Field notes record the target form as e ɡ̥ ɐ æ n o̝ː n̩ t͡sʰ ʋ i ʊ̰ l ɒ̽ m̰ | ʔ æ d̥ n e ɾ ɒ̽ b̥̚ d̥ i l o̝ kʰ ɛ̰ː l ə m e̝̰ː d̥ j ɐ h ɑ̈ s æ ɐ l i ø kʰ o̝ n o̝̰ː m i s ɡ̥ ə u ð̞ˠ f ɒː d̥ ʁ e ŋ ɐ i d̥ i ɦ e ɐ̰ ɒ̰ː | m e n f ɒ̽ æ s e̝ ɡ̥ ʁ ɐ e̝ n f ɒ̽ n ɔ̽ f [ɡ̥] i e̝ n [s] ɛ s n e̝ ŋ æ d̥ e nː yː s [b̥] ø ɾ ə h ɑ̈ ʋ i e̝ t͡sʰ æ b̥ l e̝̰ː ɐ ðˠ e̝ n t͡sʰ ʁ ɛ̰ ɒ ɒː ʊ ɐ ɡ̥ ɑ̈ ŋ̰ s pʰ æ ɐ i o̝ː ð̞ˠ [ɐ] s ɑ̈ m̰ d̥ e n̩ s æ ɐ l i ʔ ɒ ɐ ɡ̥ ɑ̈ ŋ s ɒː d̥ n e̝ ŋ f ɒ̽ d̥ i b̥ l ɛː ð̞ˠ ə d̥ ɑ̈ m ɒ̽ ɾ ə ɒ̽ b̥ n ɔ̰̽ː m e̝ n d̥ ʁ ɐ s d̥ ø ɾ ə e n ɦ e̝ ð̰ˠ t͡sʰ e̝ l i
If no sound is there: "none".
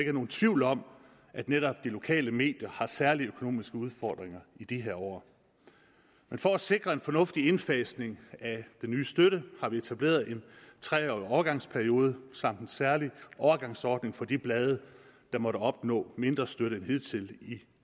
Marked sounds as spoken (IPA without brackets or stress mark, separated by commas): d̥, f, d̥, ə